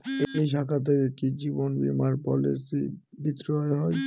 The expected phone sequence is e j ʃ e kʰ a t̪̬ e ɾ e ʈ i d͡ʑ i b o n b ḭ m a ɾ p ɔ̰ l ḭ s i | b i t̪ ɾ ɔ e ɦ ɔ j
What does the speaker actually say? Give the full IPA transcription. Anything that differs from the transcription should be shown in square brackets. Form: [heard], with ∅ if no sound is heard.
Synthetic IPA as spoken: e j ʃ [a] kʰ a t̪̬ e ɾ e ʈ i d͡ʑ i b o n b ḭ m a ɾ p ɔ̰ l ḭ s i | b i t̪ ɾ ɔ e ɦ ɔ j